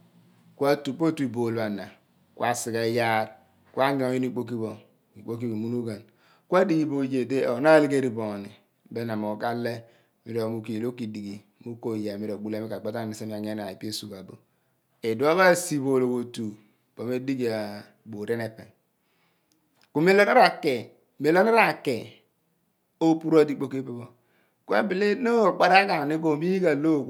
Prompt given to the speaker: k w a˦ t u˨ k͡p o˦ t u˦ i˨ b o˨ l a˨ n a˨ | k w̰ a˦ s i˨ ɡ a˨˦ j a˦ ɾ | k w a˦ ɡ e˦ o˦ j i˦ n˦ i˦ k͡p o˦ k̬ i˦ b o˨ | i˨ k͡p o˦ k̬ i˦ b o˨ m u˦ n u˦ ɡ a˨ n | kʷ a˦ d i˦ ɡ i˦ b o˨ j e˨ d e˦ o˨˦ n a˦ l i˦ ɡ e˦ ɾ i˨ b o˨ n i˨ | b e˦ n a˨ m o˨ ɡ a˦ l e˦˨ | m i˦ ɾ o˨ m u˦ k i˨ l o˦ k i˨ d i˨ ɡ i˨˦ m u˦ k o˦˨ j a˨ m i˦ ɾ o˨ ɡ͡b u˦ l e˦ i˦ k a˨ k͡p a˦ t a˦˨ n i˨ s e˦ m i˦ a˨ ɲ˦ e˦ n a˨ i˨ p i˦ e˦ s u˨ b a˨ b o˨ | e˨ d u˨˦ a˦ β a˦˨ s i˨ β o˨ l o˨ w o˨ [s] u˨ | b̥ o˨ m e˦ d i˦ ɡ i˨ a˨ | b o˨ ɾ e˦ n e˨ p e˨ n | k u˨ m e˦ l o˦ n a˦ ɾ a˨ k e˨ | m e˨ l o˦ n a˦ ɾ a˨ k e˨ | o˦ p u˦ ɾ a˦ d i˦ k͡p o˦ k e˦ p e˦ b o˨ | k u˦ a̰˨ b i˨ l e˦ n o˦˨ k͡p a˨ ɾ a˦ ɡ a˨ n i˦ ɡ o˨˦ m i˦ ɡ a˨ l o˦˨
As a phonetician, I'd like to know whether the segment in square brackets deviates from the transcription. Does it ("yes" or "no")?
yes